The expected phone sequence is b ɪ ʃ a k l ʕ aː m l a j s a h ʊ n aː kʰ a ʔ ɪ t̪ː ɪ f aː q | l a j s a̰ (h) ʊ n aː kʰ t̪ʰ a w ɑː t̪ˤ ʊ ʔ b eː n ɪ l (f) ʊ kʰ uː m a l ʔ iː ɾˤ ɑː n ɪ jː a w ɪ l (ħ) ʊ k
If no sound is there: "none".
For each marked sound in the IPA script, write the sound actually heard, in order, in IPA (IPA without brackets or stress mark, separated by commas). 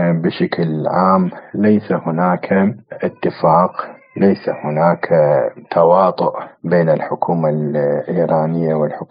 h, ħ, ħ